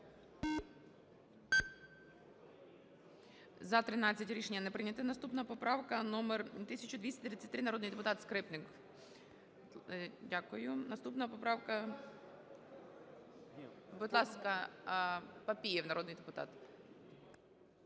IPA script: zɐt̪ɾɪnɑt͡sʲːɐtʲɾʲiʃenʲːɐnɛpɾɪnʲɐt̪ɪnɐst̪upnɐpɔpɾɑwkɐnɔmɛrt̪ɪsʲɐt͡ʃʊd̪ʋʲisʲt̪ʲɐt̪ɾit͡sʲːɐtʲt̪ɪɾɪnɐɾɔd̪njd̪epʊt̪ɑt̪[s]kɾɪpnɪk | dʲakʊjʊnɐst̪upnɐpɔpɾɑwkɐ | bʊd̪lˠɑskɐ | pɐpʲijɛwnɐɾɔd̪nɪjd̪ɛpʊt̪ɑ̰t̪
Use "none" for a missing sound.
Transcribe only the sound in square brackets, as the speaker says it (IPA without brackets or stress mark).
s